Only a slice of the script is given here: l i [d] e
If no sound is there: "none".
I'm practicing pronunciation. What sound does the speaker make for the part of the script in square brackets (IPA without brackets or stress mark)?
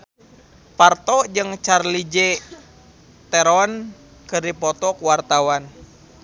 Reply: d͡ʒ